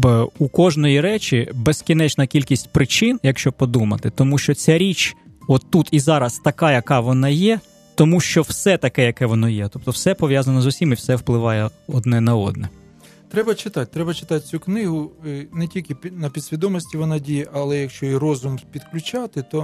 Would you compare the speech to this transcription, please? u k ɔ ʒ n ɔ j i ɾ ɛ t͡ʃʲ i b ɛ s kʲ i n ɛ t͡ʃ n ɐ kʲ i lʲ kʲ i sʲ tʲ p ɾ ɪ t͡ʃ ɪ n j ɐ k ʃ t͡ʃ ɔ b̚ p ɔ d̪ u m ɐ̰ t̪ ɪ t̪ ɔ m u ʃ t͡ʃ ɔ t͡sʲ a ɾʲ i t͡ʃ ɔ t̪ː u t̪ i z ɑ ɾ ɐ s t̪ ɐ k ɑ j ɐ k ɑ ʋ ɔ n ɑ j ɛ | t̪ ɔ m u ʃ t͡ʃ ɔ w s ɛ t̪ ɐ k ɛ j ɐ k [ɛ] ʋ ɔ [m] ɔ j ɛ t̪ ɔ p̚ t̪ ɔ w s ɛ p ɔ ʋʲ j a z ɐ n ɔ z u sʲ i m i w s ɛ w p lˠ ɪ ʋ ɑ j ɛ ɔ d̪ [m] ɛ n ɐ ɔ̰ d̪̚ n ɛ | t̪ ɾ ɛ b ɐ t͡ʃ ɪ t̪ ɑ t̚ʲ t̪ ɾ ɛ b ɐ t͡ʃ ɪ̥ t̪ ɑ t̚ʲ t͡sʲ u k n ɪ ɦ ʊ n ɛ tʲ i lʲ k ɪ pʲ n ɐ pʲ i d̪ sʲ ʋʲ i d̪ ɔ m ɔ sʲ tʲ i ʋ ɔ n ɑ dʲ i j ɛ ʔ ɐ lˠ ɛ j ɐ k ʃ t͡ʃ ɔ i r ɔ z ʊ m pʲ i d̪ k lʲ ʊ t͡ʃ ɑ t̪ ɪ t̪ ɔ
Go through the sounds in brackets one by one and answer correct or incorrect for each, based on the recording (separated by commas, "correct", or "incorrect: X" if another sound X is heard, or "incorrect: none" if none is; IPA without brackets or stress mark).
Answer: correct, incorrect: n, incorrect: n